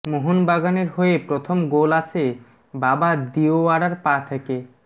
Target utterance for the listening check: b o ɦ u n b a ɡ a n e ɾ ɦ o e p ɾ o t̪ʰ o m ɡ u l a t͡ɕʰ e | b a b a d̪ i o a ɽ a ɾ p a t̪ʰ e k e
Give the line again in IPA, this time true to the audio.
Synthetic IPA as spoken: m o ɦ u n b a ɡ a n e ɾ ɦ o e p ɾ o t̪ʰ o m ɡ o l a t͡ɕʰ e | b a b a d̪ i o a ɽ a ɾ p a t̪ʰ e k e